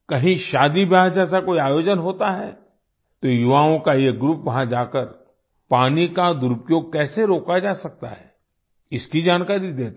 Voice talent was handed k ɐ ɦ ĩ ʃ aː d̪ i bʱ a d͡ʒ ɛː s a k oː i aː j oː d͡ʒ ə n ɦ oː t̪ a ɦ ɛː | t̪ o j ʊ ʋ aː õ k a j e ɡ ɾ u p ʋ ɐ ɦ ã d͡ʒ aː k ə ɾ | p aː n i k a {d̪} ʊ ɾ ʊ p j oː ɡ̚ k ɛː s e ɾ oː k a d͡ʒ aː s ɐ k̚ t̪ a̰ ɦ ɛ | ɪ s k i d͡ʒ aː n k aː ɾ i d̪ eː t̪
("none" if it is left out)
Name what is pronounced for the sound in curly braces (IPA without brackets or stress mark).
d̪